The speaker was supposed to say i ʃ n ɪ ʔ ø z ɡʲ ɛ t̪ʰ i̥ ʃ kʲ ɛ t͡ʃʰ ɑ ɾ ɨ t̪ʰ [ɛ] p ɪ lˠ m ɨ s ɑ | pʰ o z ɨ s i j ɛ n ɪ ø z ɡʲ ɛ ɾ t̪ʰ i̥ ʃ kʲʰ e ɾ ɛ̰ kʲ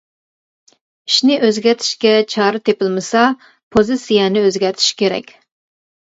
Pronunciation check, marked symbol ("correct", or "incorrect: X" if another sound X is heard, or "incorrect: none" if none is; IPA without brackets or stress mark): incorrect: e